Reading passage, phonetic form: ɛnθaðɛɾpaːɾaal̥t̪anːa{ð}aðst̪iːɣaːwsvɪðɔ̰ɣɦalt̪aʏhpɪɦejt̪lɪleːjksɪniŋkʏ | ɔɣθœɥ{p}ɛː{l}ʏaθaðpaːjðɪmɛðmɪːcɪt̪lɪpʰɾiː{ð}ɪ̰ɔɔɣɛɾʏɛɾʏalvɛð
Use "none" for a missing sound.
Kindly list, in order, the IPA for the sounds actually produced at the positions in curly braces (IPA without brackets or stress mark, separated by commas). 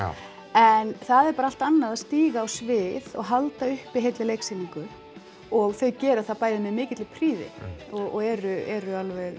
ð, c, ɾ, ð